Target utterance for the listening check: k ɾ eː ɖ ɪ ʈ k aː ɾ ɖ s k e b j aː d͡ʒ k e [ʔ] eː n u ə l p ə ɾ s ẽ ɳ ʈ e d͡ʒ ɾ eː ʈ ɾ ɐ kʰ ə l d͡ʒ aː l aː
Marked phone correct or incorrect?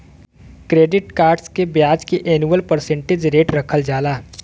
correct